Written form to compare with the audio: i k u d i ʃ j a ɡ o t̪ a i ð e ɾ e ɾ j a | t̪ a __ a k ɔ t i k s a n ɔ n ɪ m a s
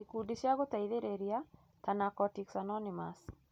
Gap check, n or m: n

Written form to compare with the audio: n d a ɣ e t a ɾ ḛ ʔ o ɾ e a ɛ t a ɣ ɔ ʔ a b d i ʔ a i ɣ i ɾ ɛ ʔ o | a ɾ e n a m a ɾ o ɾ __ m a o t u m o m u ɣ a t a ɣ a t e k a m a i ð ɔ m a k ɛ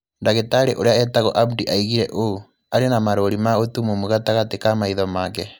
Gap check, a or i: i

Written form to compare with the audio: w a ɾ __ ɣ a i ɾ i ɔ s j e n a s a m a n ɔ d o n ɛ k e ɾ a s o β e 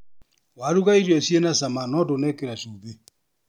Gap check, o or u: u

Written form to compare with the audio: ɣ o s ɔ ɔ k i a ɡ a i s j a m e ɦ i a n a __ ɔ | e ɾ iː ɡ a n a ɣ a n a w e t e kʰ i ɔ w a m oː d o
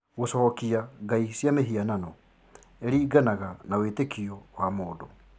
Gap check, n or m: n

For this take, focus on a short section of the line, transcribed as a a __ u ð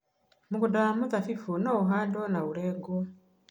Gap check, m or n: m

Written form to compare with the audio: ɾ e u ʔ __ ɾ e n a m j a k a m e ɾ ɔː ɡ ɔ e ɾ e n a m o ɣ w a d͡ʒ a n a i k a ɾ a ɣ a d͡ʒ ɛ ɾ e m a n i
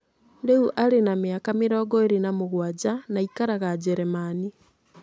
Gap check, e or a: a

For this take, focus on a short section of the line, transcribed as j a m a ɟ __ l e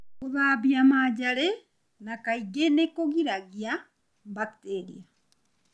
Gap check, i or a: a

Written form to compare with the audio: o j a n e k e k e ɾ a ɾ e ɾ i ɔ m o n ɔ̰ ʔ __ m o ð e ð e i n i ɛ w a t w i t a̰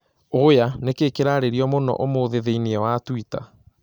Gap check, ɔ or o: o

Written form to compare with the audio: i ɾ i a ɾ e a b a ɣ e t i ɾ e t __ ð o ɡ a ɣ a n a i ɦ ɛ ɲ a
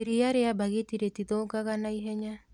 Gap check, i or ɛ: i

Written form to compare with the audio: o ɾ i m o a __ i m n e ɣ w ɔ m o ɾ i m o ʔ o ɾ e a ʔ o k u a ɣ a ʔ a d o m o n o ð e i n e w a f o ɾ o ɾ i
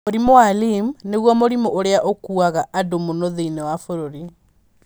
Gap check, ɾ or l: l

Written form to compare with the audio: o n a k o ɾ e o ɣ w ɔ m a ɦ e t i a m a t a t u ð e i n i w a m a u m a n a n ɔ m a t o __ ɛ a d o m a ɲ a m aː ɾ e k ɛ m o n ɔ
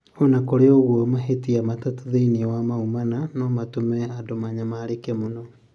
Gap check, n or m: m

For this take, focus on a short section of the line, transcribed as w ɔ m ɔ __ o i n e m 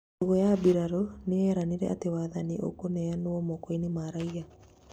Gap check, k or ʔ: k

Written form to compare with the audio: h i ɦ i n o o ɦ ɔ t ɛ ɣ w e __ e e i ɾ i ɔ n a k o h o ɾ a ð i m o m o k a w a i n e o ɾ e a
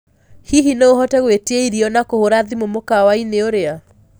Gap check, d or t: t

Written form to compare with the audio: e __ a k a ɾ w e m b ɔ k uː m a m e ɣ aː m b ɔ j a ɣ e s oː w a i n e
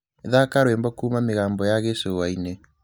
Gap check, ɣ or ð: ð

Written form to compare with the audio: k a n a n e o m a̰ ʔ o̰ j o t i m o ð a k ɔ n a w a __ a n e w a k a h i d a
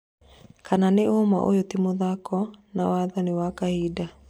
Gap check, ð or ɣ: ð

